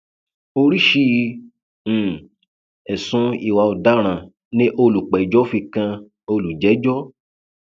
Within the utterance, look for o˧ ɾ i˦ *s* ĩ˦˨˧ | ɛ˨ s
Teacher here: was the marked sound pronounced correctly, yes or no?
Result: no